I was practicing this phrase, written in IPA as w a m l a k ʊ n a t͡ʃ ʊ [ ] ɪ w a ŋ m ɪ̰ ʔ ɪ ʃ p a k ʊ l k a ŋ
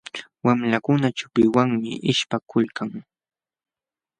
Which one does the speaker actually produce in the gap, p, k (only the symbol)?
p